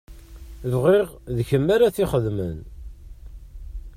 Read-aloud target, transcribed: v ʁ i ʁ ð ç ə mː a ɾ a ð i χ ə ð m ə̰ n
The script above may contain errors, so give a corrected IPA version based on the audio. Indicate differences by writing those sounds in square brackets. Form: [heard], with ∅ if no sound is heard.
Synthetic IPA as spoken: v ʁ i ʁ ð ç ə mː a ɾ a [θ] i χ ə ð m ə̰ n